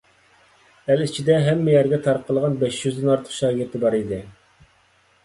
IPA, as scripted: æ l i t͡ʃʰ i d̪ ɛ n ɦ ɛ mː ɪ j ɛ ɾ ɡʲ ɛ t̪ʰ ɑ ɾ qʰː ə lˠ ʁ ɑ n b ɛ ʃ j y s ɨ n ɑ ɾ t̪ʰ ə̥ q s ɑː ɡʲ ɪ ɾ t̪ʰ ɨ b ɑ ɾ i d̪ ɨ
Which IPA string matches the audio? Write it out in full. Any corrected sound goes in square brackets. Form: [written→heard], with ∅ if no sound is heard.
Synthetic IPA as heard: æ l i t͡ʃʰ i d̪ ɛ [n→∅] ɦ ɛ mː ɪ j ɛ ɾ ɡʲ ɛ t̪ʰ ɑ ɾ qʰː ə lˠ ʁ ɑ n b ɛ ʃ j y [s→z] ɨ n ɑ ɾ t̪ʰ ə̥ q [s→ʃ] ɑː ɡʲ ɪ ɾ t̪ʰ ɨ b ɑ ɾ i d̪ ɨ